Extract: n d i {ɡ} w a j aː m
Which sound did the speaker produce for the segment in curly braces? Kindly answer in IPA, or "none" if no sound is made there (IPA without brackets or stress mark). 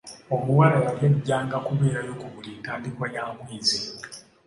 k